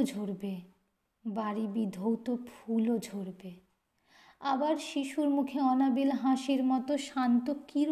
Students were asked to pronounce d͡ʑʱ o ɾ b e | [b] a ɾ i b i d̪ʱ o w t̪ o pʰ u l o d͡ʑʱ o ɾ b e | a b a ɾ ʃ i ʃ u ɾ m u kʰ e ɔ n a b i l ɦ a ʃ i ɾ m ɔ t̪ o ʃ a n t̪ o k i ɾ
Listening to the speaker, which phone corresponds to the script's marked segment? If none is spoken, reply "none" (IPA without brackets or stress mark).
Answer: b